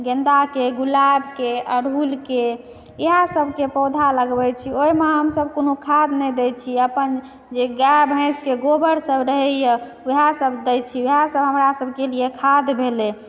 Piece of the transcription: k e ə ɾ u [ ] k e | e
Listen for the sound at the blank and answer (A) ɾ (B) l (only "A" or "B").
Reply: B